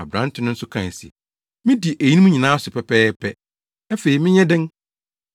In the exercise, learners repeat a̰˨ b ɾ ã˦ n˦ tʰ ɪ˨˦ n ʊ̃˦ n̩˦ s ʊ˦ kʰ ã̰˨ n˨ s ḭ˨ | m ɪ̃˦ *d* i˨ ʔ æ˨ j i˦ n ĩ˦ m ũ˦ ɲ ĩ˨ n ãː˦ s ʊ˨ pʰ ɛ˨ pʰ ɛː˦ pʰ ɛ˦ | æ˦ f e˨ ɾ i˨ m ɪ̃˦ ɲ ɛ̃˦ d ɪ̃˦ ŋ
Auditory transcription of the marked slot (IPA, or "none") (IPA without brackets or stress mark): d